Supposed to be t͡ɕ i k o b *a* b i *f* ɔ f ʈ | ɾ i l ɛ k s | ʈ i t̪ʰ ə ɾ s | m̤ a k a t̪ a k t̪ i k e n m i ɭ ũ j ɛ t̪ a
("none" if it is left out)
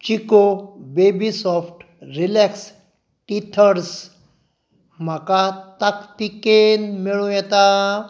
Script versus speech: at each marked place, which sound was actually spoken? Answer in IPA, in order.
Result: e, s

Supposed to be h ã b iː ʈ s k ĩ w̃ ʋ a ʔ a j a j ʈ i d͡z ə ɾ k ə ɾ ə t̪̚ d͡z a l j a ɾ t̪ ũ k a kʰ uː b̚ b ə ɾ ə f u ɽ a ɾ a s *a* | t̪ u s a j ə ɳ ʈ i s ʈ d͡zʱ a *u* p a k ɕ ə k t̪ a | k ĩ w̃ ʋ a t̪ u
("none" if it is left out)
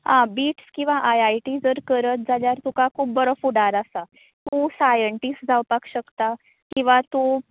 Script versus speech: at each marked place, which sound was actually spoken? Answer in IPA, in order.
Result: a, w

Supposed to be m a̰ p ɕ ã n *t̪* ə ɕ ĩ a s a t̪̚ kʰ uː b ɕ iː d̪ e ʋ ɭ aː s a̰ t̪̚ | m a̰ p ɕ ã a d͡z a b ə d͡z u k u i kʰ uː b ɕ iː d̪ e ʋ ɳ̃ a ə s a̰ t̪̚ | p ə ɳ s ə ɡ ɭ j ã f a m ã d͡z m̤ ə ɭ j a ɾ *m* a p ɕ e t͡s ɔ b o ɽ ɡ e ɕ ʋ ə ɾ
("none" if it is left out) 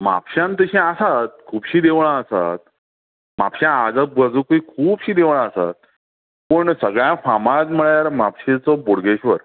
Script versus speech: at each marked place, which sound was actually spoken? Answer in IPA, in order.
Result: t̪, m

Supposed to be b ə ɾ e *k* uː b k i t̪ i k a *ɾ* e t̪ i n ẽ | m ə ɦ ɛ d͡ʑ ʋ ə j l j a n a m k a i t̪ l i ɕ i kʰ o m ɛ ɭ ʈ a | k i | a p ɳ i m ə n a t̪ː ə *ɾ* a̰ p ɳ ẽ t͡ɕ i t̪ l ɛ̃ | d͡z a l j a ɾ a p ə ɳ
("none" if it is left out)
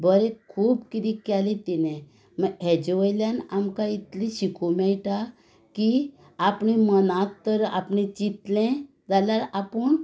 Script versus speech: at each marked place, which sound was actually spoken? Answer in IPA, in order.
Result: kʰ, l, ɾ

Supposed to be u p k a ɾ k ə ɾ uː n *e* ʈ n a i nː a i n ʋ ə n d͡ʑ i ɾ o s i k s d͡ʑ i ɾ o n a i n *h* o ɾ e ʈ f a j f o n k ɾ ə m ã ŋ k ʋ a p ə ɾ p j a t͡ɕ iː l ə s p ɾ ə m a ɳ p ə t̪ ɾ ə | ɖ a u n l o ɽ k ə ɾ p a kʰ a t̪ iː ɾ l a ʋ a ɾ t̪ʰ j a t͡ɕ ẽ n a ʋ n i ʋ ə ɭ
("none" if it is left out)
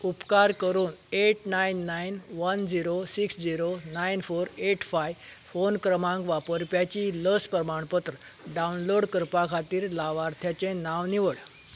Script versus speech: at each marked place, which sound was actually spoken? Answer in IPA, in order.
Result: e, f

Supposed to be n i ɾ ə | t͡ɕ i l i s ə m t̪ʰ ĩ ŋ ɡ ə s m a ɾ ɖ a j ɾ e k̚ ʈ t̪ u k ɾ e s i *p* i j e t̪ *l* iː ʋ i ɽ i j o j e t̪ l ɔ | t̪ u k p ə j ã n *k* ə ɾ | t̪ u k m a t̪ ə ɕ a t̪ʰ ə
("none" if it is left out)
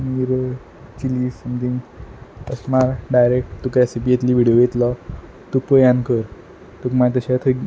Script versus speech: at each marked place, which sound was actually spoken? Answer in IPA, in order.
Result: p, l, k

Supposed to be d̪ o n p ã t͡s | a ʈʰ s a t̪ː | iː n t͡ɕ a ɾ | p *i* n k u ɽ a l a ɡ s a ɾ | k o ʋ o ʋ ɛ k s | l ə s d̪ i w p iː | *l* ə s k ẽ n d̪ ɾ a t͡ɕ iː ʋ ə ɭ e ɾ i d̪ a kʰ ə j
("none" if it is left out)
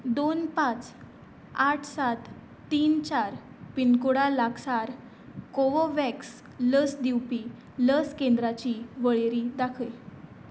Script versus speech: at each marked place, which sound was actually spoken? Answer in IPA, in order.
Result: i, l

